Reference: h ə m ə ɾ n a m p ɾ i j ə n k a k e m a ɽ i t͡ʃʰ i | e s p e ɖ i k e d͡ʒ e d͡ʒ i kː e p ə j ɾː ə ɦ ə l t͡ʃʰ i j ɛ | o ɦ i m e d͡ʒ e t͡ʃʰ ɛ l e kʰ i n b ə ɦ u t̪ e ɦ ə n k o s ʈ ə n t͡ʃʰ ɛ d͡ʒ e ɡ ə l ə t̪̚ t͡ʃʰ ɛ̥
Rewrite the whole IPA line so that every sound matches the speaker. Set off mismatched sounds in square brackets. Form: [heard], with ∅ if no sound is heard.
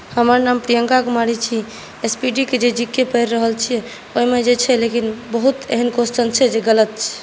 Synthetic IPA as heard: h ə m ə ɾ n a m p ɾ i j ə [ŋ] k a k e m a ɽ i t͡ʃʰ i | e s p [i] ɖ i k e d͡ʒ e d͡ʒ i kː e p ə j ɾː ə ɦ ə l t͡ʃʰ i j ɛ | o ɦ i m e d͡ʒ e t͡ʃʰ ɛ l e [k] i n b ə ɦ u t̪ e ɦ ə n k o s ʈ ə n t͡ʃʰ ɛ d͡ʒ e ɡ ə l ə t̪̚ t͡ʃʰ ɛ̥